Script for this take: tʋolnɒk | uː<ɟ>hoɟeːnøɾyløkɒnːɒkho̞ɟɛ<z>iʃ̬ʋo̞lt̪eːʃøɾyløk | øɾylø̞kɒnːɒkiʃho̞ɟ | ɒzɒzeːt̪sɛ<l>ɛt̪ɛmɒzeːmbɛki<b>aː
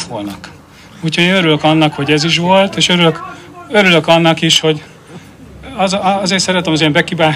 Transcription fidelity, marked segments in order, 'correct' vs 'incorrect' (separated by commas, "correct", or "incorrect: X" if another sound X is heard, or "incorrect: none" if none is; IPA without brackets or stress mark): incorrect: c, correct, incorrect: ɾ, correct